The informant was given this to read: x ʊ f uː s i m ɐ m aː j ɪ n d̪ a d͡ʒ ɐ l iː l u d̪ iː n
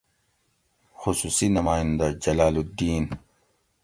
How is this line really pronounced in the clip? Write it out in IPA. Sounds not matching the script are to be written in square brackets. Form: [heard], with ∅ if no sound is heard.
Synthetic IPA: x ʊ [s] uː s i [n] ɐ m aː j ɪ n d̪ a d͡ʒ ɐ l [aː] l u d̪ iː n